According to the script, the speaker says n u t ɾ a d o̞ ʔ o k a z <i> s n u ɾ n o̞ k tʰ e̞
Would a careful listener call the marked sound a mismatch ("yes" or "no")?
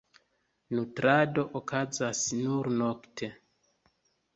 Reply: yes